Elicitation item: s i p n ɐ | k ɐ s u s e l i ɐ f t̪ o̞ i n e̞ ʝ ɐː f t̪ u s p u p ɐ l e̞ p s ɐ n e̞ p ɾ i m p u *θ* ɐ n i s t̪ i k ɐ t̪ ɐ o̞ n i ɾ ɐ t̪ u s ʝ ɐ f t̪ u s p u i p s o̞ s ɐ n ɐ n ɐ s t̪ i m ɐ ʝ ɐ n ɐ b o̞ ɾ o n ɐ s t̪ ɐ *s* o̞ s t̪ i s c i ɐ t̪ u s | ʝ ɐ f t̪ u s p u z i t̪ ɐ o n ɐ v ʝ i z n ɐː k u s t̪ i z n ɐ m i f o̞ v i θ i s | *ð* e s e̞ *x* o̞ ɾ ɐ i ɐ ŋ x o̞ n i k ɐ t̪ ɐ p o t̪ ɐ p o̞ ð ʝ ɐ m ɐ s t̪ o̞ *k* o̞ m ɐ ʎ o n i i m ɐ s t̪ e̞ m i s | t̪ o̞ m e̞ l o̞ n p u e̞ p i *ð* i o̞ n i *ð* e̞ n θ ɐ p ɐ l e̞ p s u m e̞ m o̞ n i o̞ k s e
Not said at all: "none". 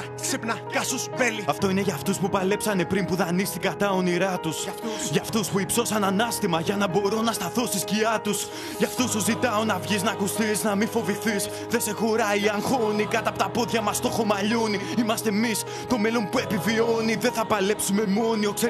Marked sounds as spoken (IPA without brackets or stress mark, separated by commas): ð, θ, ð, x, x, v, ð